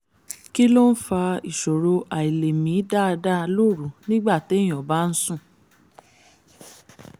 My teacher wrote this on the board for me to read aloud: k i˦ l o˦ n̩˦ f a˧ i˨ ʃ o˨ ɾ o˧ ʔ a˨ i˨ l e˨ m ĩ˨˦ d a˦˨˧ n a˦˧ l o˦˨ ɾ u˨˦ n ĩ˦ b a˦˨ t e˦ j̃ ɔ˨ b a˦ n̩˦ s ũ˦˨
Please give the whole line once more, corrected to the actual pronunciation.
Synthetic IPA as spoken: k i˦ l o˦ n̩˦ f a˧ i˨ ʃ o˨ ɾ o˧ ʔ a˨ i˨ l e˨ m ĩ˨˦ d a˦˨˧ d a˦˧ l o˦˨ ɾ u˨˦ n ĩ˦ ɡ͡b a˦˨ t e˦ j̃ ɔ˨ b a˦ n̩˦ s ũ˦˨